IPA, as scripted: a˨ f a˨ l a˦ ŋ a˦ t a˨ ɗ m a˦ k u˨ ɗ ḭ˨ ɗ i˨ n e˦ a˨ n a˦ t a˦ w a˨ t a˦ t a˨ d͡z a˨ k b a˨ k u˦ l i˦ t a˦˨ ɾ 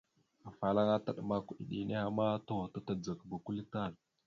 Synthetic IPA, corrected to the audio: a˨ f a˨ l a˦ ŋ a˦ t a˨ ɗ m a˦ k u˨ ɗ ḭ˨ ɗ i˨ n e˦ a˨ m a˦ t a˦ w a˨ t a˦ t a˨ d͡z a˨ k b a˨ k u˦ l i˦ t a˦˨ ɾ